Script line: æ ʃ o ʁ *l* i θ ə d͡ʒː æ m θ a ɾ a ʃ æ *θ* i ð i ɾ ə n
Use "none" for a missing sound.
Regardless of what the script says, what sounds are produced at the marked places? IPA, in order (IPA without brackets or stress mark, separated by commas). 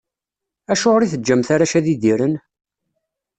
ɾ, ð